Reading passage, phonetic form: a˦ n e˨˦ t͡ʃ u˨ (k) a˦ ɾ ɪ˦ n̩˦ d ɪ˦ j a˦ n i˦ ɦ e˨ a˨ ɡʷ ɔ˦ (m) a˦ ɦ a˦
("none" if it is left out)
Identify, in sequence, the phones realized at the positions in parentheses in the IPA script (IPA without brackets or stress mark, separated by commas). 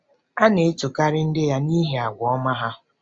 k, m